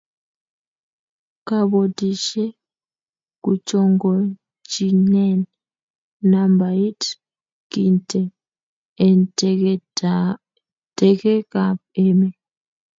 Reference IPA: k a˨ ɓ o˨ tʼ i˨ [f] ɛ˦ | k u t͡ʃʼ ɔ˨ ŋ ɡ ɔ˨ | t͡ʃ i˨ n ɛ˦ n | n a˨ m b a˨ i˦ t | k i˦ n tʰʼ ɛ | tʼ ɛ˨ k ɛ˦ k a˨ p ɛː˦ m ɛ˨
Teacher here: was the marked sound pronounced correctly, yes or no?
no